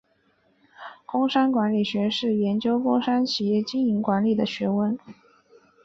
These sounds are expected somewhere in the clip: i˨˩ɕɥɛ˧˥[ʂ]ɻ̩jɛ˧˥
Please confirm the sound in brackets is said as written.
yes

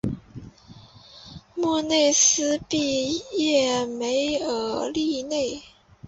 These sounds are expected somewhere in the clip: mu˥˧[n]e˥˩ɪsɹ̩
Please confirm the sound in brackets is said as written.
yes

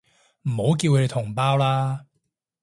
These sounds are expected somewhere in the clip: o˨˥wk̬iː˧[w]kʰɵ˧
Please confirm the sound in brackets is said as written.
yes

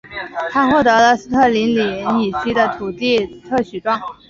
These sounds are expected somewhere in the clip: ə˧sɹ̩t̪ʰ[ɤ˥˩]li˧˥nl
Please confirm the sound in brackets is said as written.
yes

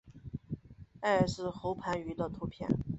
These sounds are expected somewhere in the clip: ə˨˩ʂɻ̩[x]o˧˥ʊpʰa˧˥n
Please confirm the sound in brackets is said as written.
yes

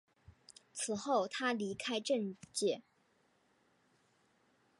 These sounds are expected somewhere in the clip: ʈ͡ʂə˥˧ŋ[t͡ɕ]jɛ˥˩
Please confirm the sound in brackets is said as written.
yes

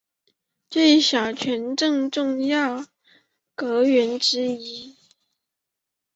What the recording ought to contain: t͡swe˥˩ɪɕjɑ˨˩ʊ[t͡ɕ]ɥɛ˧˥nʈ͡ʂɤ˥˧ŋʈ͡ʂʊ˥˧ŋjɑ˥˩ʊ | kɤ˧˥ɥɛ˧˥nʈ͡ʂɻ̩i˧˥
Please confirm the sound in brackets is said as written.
no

